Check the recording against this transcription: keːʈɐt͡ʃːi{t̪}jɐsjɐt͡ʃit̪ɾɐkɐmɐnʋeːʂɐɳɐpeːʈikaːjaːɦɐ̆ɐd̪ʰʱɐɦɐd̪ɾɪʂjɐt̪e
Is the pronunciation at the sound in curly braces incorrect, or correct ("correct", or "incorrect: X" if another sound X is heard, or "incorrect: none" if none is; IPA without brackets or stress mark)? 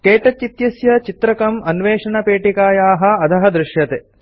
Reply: correct